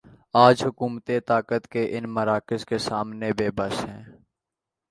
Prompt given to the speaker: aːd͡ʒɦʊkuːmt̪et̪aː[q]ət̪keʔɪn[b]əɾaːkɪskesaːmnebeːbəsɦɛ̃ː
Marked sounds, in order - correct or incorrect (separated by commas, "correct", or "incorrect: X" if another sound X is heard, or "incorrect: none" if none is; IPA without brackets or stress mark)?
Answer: incorrect: k, incorrect: m